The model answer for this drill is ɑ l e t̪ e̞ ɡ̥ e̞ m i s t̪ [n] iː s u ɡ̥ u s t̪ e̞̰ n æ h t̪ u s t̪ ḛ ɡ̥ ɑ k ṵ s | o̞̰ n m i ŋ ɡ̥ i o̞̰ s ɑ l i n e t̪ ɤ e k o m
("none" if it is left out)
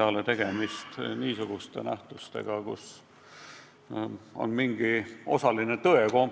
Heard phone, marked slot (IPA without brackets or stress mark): n